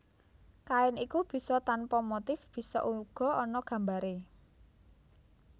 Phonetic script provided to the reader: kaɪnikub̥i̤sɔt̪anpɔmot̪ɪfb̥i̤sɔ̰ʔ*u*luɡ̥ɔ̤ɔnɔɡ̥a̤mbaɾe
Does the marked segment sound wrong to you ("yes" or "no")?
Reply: no